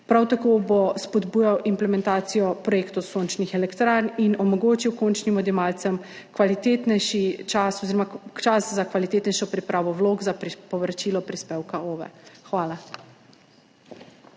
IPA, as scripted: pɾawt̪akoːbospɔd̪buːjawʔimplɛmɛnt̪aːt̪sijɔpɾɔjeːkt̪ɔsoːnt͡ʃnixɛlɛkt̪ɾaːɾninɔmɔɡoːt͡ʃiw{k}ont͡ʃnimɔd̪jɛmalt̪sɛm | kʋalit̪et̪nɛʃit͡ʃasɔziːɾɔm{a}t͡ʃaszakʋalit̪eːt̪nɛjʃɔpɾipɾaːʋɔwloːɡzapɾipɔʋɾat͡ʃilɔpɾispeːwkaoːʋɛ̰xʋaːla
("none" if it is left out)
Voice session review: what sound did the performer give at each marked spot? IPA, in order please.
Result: k, a

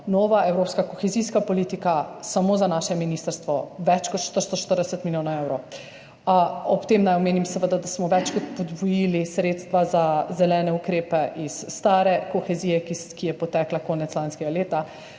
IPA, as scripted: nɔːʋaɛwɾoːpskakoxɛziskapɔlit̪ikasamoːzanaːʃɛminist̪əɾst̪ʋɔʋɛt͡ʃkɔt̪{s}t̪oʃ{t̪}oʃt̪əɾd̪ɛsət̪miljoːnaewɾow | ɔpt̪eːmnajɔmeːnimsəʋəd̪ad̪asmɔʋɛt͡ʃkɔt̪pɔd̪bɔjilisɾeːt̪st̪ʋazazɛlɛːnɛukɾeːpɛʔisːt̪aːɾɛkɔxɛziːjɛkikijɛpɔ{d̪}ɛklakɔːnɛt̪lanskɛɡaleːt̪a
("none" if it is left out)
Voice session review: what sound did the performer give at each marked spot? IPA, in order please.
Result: ʃ, t̪, t̪

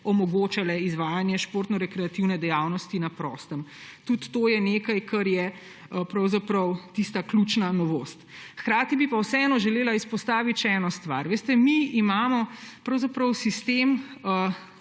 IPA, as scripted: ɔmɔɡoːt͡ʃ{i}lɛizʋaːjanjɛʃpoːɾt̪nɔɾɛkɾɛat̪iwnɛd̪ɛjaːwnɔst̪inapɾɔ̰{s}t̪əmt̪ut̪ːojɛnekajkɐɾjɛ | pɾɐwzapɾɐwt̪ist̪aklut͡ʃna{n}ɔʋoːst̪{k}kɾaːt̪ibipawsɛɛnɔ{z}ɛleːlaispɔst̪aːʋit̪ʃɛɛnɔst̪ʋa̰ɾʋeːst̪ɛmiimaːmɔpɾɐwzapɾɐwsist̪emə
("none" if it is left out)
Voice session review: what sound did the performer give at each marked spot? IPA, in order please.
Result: a, s, n, x, ʒ

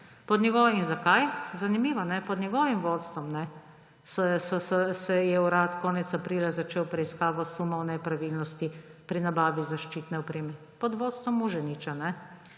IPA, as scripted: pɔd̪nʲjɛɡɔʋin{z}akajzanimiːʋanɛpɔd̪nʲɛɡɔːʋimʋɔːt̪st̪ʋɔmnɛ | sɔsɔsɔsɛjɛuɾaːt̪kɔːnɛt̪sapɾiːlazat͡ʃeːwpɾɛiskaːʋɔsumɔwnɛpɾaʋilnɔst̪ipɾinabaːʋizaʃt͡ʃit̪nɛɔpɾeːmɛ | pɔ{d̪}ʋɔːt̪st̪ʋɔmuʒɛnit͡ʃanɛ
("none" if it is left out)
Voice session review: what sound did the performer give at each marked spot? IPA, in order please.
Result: z, d̪

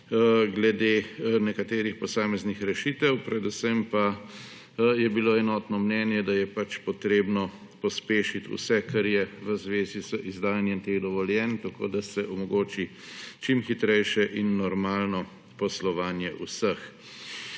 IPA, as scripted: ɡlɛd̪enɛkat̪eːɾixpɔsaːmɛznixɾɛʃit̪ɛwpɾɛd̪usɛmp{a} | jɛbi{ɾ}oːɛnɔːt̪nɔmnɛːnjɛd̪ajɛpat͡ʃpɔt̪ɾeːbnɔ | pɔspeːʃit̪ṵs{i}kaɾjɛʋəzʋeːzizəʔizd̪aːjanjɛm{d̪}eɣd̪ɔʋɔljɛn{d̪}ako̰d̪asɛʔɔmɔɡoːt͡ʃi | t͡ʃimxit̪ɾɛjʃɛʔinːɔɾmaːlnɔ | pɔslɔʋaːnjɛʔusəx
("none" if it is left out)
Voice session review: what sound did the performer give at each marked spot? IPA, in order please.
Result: a, l, ɛ, t̪, t̪

